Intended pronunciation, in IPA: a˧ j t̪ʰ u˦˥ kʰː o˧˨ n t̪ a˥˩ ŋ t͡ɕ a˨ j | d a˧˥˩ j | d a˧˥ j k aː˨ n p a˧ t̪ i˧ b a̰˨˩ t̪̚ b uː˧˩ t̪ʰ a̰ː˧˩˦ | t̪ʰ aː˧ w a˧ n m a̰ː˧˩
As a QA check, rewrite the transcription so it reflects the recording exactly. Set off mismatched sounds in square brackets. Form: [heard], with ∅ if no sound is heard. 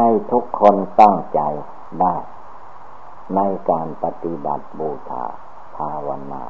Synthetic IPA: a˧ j t̪ʰ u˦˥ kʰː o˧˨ n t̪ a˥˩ ŋ t͡ɕ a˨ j | d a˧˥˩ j | [n] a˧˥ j k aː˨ n p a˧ t̪ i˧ b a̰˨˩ t̪̚ b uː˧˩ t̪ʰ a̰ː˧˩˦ | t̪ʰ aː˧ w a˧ n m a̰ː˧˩